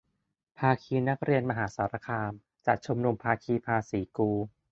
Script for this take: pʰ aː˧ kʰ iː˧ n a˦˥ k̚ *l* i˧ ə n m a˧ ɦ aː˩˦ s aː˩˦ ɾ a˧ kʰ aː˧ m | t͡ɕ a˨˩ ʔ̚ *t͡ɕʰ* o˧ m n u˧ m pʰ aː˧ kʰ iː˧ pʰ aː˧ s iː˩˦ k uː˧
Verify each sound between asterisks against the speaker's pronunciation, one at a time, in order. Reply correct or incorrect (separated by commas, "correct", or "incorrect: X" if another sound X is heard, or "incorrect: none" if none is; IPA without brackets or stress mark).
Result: incorrect: ɾ, correct